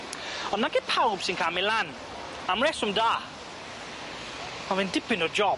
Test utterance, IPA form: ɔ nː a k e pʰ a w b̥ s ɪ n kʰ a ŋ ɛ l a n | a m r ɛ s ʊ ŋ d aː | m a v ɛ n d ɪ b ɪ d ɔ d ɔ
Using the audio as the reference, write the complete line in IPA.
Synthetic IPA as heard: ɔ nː a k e pʰ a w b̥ s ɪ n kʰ a m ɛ l a n | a m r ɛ s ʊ m d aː | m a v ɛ n d ɪ p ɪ n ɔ d͡ʒ ɔ